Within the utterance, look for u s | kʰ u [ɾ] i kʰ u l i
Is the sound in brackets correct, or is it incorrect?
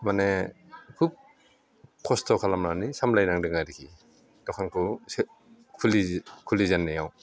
incorrect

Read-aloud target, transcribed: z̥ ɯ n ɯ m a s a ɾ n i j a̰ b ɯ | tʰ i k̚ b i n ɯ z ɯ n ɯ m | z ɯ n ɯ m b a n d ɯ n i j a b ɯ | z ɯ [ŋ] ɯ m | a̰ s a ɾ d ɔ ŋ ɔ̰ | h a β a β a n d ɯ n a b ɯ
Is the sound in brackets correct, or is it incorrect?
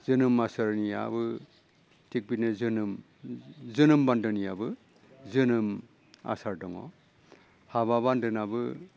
incorrect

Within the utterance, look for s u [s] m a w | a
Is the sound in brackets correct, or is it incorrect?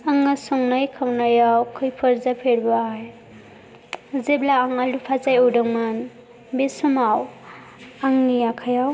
incorrect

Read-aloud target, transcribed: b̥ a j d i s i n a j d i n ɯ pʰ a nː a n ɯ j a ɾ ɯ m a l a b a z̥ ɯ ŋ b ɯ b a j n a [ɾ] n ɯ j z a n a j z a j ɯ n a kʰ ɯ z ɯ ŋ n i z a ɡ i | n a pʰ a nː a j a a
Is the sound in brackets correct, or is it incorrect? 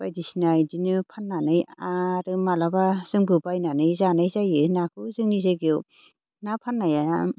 incorrect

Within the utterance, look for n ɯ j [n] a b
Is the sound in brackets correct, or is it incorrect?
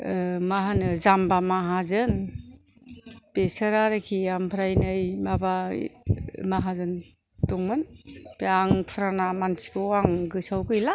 incorrect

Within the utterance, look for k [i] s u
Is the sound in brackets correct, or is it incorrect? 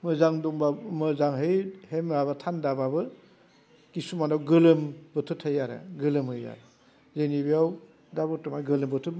correct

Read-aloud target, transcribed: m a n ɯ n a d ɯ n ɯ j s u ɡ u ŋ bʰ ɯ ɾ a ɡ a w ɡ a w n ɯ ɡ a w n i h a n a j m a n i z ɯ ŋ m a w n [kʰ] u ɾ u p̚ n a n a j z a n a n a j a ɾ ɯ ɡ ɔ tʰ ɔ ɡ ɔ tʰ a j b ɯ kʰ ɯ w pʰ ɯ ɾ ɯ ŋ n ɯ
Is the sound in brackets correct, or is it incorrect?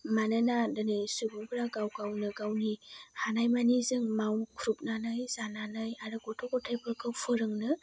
correct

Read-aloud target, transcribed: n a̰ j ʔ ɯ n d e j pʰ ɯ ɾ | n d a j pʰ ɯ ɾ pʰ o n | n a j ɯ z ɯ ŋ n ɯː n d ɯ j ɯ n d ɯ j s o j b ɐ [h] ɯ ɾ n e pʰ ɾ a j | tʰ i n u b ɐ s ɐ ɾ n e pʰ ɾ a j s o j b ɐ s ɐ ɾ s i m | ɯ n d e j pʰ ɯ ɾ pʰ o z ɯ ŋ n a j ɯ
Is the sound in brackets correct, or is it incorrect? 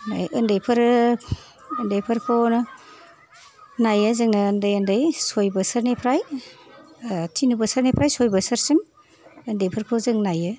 incorrect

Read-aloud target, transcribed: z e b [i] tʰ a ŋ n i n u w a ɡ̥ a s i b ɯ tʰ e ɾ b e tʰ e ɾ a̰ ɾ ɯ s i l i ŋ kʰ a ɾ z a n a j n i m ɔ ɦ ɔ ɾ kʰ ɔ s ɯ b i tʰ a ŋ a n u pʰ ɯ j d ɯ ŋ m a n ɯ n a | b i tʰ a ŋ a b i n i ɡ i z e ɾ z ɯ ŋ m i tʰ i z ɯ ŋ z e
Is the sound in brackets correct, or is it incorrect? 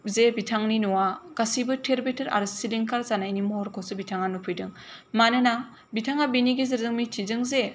correct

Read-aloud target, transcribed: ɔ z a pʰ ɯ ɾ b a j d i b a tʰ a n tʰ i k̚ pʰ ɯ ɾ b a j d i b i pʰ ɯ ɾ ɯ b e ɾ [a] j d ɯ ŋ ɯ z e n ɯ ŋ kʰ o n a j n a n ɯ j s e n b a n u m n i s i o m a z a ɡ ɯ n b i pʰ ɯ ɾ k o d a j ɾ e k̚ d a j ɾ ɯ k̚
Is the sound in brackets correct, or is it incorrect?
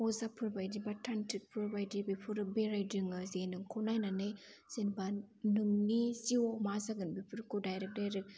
correct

